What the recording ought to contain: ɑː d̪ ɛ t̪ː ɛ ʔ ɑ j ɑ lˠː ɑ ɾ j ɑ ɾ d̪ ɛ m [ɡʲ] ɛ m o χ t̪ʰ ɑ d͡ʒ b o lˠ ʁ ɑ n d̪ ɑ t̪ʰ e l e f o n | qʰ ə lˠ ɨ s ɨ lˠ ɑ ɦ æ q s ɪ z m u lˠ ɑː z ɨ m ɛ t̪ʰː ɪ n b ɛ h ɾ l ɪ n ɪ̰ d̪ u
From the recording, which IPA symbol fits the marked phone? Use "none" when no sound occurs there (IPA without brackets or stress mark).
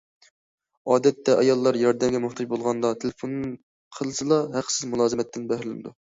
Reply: ɡʲ